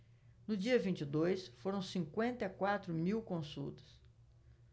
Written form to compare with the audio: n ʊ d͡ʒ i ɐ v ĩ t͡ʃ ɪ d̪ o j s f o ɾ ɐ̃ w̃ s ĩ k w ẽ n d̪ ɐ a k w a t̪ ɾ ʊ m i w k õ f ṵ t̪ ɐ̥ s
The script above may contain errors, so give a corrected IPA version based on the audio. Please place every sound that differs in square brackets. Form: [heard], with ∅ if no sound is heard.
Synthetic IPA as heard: n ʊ d͡ʒ i ɐ v ĩ t͡ʃ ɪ d̪ o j s f o ɾ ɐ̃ w̃ s ĩ k w ẽ n [t̪] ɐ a k w a t̪ ɾ ʊ m i w k õ [s] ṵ t̪ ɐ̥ s